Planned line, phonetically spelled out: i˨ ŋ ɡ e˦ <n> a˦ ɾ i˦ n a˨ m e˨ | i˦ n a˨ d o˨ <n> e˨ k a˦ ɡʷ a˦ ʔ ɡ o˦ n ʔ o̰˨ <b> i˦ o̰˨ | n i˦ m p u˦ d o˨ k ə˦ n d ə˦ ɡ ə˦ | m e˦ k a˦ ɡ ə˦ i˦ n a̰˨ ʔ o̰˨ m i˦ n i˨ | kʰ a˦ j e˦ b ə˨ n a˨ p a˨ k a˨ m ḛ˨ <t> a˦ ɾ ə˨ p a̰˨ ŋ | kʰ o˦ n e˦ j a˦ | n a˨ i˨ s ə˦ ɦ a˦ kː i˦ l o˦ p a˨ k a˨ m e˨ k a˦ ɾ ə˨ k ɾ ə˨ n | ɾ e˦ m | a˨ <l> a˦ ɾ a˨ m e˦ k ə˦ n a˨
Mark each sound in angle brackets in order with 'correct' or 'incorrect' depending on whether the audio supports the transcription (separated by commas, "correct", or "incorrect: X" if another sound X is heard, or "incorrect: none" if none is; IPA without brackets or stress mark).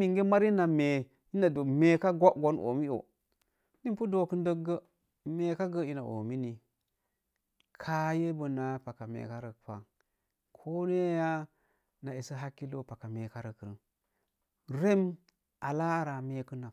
incorrect: m, incorrect: m, incorrect: m, incorrect: k, correct